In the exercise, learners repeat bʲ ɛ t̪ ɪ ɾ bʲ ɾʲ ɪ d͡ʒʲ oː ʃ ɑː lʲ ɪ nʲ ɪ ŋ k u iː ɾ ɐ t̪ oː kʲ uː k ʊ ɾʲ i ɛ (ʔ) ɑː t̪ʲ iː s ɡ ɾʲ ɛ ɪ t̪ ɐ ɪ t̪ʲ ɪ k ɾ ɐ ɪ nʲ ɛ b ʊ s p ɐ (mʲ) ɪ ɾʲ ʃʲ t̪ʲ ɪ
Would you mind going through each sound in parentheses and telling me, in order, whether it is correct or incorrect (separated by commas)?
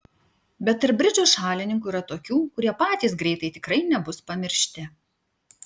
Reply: incorrect, correct